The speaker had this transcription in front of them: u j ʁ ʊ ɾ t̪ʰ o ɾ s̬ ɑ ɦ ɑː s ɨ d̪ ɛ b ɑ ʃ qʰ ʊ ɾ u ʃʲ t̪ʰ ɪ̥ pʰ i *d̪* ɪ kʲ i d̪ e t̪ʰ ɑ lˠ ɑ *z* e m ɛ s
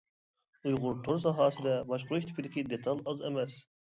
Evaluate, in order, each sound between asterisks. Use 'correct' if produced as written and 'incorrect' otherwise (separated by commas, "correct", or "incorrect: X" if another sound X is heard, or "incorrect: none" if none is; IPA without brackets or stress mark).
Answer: correct, correct